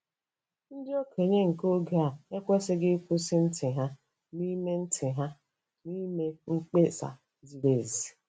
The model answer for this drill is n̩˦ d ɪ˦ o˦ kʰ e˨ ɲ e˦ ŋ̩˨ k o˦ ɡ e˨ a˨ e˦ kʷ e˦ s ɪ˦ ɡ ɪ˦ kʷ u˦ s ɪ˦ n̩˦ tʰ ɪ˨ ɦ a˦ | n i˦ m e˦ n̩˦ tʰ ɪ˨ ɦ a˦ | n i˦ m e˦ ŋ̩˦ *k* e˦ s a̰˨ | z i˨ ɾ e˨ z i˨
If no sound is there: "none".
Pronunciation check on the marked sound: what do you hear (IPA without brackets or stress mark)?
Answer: k͡p